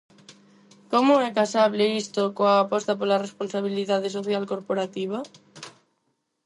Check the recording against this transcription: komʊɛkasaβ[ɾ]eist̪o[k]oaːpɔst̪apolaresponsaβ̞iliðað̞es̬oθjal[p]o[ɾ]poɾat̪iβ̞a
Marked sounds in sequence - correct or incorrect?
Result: incorrect: l, correct, incorrect: k, correct

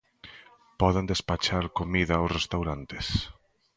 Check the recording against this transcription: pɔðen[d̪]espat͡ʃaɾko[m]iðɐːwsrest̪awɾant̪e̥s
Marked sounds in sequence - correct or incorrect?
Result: correct, correct

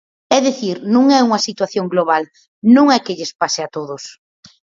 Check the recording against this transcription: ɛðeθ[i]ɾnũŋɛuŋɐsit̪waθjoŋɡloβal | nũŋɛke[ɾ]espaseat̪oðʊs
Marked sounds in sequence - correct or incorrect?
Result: correct, incorrect: ʎ

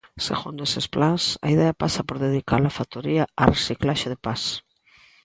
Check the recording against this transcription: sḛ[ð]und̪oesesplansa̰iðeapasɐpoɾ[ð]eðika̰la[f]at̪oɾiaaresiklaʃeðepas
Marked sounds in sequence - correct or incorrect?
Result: incorrect: ɣ, correct, correct

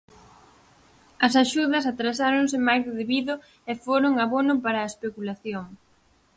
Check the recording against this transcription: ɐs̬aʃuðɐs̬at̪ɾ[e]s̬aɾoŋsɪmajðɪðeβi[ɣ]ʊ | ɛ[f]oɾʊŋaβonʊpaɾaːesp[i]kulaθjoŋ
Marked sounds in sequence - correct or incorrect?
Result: incorrect: a, incorrect: ð, correct, incorrect: e

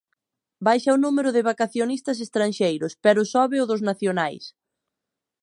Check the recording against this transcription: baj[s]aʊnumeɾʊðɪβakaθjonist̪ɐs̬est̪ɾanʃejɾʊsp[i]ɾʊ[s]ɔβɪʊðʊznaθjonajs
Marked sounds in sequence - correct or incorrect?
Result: incorrect: ʃ, incorrect: ɛ, correct

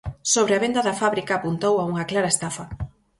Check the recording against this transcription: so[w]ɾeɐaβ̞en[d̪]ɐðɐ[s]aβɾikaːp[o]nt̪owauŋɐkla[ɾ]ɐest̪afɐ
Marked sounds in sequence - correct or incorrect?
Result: incorrect: β, correct, incorrect: f, incorrect: u, correct

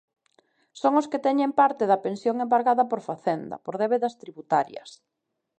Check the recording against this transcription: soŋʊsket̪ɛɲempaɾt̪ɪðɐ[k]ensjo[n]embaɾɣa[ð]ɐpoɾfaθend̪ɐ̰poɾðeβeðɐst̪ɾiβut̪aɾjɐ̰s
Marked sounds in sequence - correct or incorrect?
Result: incorrect: p, incorrect: ŋ, correct

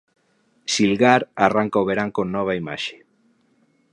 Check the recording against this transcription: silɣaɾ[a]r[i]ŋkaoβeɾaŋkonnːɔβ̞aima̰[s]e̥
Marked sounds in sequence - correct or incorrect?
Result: correct, incorrect: a, incorrect: ʃ

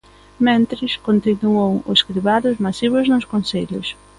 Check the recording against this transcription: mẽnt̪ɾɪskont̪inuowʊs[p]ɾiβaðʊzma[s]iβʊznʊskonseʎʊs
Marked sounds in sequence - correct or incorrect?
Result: incorrect: k, correct

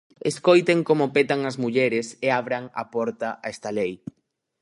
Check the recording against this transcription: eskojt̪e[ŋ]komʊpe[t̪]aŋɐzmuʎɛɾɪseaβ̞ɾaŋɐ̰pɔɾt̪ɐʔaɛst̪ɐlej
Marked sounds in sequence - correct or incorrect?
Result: correct, correct

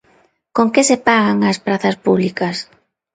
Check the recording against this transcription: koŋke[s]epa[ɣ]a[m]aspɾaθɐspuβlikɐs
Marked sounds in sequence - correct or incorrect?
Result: correct, correct, incorrect: ŋ

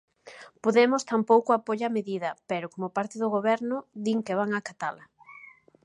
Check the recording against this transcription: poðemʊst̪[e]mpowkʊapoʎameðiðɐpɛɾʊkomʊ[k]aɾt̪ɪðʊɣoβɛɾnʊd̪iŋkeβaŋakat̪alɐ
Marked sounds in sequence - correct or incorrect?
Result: incorrect: a, incorrect: p

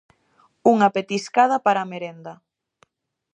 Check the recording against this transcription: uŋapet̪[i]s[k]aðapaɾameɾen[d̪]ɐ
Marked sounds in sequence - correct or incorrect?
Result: correct, correct, correct

